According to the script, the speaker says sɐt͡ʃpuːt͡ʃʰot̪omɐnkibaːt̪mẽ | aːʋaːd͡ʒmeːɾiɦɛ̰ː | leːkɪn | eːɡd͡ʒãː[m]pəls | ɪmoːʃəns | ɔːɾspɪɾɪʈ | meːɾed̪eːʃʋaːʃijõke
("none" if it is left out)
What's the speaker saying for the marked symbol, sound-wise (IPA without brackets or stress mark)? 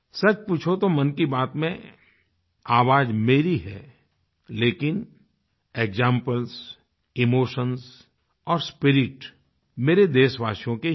m